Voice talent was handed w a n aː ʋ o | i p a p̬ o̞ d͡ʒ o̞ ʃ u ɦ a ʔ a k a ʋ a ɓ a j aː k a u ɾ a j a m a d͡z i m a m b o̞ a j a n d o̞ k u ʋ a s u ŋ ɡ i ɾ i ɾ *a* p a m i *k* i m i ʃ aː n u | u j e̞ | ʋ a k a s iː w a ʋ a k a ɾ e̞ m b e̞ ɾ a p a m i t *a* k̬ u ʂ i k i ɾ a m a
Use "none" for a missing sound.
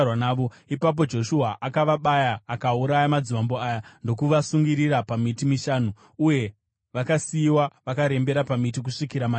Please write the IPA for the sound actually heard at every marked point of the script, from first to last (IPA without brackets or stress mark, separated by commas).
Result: a, t, i